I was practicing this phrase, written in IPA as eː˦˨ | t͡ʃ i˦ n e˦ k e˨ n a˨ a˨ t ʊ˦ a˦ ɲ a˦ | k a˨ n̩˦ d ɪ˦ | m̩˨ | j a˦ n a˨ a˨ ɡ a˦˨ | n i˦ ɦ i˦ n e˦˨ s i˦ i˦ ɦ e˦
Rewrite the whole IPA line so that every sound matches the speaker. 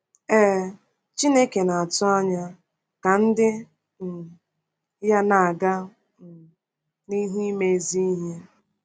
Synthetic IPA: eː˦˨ | t͡ʃ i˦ n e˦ k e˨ n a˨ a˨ t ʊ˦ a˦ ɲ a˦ | k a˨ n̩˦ d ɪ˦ | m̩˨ | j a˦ n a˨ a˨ ɡ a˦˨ | n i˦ ɦ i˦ m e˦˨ z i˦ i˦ ɦ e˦